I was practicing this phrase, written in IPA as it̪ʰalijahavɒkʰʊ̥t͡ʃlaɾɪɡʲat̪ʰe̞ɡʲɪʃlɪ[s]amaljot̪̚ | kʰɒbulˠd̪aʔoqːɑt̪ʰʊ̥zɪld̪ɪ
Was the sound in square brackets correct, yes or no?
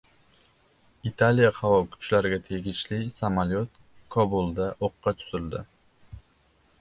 yes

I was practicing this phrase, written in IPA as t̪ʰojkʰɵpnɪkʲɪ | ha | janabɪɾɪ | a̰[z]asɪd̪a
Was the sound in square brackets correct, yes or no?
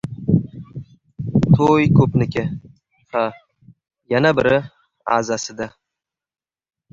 yes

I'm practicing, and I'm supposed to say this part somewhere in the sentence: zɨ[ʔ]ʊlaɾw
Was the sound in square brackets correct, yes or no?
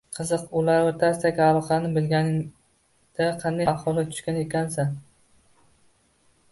no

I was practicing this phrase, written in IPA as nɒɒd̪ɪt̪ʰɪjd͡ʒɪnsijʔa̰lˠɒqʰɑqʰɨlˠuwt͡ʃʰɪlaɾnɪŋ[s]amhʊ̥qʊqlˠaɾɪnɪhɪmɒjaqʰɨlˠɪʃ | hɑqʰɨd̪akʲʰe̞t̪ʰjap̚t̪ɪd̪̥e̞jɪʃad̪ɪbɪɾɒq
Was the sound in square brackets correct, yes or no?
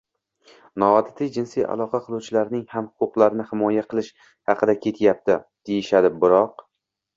no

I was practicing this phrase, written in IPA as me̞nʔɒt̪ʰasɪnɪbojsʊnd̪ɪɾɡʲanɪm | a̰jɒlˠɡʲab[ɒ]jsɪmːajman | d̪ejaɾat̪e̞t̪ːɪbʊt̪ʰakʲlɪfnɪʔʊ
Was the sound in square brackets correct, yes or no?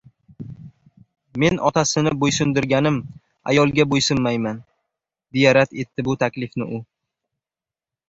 no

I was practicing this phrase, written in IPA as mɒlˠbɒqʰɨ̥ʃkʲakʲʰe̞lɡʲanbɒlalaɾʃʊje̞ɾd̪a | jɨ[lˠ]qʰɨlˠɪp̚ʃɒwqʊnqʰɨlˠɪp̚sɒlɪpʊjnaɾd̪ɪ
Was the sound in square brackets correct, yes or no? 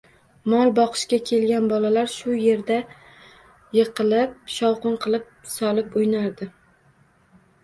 no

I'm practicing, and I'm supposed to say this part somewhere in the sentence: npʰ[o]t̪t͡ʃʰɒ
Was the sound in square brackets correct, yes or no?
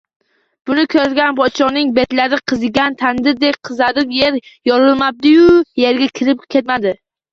no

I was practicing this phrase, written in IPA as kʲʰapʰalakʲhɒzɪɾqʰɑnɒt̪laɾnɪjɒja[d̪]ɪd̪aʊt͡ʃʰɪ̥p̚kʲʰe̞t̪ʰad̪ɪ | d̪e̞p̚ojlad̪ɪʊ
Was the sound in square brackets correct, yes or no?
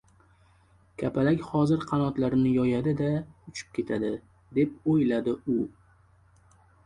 yes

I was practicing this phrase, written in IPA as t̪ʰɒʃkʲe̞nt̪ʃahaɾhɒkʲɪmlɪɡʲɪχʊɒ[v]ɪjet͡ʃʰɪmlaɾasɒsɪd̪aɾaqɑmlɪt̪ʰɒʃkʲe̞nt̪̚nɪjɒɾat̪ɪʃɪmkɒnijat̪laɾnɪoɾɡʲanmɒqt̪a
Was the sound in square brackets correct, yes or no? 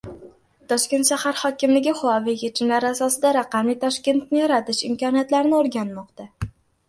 yes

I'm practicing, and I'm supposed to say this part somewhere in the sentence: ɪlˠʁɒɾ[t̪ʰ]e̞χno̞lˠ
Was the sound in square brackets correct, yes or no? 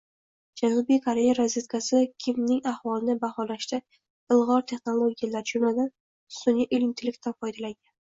yes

